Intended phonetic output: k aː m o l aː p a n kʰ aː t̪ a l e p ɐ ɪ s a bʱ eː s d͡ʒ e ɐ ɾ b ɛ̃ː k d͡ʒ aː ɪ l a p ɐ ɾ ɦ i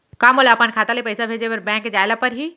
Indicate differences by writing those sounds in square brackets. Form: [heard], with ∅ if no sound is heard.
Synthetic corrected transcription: k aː m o l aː p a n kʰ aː t̪ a l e p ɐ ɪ s a bʱ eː [∅] d͡ʒ e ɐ ɾ b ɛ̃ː k d͡ʒ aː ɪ l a p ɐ ɾ ɦ i